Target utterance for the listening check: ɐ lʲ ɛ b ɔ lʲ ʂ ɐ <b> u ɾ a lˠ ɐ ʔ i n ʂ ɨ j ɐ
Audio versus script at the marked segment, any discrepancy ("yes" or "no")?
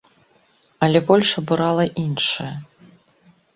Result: no